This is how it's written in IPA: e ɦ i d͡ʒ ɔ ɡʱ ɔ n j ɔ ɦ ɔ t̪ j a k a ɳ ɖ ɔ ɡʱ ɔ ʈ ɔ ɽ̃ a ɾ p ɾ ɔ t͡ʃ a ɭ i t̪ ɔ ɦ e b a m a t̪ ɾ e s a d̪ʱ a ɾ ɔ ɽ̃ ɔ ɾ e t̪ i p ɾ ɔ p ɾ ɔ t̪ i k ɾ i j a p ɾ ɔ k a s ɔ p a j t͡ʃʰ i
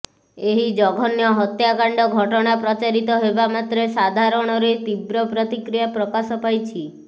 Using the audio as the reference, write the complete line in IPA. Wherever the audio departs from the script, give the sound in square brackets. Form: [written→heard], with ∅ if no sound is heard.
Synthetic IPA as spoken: e ɦ i d͡ʒ ɔ ɡʱ ɔ n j ɔ ɦ ɔ t̪ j a k a ɳ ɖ ɔ ɡʱ ɔ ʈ ɔ ɽ̃ a [ɾ→∅] p ɾ ɔ t͡ʃ a [ɭ→ɾ] i t̪ ɔ ɦ e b a m a t̪ ɾ e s a d̪ʱ a ɾ ɔ ɽ̃ ɔ ɾ e t̪ i [p→b] ɾ ɔ p ɾ ɔ t̪ i k ɾ i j a p ɾ ɔ k a s ɔ p a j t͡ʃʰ i